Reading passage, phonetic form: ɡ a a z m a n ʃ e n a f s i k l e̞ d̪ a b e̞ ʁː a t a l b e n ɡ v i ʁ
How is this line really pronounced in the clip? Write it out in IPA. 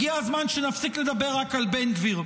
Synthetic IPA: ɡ i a z m a n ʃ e n a f s i k l e̞ d̪ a b e̞ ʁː a k a l b e n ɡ v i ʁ